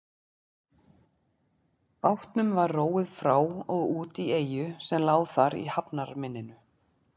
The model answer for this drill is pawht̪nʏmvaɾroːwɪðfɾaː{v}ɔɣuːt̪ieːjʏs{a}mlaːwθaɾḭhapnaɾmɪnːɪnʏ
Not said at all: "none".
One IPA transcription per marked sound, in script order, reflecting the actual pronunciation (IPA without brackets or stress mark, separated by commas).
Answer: w, ɛ